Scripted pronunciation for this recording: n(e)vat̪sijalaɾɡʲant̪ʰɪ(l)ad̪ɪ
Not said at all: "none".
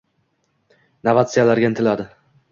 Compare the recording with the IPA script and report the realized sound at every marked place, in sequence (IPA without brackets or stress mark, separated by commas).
a, l